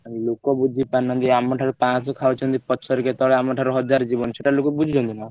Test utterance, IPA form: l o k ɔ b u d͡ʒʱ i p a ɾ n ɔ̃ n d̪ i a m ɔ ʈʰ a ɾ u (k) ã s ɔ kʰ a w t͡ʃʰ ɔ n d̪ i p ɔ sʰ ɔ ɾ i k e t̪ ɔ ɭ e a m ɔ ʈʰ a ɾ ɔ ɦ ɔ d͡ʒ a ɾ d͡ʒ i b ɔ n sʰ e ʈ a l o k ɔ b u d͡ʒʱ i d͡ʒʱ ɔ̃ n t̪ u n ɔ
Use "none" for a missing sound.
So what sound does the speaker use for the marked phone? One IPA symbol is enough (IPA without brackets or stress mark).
p